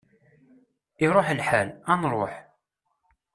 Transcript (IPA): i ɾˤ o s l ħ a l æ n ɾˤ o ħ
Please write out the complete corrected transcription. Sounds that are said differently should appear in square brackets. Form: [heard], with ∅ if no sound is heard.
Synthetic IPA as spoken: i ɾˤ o [ħ] l ħ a l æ n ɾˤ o ħ

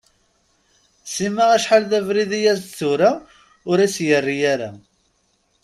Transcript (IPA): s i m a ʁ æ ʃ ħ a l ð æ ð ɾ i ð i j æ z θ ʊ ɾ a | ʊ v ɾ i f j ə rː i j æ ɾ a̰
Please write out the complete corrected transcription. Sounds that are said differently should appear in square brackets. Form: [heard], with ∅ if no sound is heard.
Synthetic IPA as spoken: s i m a ʁ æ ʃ ħ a l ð æ [v] ɾ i ð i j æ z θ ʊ ɾ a | ʊ [∅] ɾ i [s] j ə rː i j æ ɾ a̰

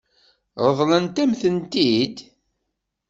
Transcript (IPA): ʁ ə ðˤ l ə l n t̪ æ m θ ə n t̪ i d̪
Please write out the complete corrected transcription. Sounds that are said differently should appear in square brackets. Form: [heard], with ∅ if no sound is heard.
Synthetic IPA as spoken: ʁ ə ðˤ l ə [∅] n t̪ æ m θ ə n t̪ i d̪

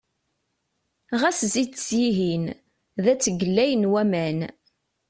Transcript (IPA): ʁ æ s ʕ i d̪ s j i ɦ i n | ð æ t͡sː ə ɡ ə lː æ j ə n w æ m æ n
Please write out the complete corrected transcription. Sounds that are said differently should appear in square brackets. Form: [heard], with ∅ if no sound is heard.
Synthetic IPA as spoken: ʁ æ s [z] i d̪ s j i ɦ i n | ð æ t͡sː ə ɡ ə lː æ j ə n w æ m æ n

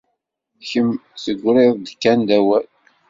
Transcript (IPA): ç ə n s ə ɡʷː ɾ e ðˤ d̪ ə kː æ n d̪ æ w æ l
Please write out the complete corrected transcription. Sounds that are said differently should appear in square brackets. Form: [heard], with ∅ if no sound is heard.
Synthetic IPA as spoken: ç ə [m] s ə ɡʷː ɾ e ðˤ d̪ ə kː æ n d̪ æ w æ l

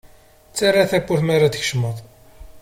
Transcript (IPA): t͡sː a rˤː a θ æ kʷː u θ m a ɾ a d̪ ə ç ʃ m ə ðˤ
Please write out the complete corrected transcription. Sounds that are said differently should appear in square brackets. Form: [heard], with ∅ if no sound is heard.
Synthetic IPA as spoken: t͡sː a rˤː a θ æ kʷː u θ m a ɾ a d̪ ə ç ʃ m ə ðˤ

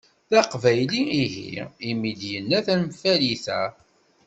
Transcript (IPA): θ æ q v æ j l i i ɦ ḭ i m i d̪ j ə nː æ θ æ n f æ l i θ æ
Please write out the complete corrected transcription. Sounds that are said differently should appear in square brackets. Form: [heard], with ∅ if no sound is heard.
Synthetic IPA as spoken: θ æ q v æ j l i i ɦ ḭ i m i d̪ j ə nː æ θ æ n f æ l i θ æ

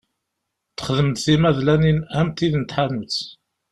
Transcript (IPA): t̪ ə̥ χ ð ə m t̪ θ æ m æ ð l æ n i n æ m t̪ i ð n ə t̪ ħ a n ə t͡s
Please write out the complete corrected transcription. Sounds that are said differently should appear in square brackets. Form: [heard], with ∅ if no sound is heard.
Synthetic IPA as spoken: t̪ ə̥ χ ð ə m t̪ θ [i] m æ ð l æ n i n æ m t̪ i ð n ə t̪ ħ a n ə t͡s

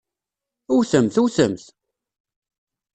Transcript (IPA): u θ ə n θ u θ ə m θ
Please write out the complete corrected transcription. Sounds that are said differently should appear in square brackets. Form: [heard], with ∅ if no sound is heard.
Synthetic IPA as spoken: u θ ə [m] θ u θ ə m θ

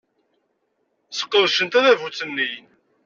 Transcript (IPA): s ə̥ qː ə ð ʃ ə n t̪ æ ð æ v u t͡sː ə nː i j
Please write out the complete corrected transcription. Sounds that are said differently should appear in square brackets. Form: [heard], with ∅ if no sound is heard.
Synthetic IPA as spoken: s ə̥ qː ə ð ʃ ə n t̪ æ ð æ v u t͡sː ə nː i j

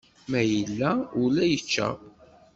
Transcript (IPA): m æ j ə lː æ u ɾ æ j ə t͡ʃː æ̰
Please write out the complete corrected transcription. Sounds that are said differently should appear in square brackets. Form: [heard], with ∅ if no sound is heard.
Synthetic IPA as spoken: m æ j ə lː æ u [l] æ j ə t͡ʃː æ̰

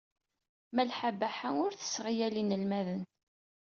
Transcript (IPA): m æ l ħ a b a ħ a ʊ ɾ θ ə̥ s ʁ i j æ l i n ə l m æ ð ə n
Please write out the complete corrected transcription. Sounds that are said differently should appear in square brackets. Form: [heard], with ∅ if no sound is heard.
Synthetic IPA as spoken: m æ l ħ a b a ħ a ʊ ɾ θ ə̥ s ʁ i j æ l i n ə l m æ ð ə n

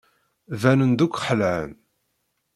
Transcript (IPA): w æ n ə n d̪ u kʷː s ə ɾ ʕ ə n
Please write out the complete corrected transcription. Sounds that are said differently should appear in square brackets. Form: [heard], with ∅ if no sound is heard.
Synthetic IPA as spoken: [v] æ n ə n d̪ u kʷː [ħ] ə [l] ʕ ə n

